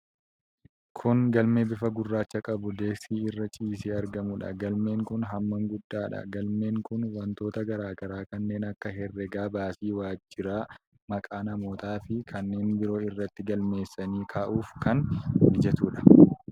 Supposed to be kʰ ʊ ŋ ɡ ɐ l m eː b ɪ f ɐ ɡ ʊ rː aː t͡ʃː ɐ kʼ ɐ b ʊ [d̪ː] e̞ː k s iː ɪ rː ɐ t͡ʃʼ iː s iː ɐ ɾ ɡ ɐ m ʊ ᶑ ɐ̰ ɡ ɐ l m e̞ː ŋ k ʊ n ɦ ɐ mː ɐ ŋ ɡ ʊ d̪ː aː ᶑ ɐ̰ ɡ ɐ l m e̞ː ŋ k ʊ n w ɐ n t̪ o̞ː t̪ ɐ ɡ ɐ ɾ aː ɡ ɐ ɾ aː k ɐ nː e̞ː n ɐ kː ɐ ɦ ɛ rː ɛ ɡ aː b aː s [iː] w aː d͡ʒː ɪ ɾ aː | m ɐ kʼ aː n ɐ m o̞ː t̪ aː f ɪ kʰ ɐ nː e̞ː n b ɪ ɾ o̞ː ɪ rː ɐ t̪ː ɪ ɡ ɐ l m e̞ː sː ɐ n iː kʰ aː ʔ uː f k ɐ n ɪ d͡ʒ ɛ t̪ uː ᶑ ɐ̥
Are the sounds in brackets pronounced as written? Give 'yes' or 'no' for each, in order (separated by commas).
no, yes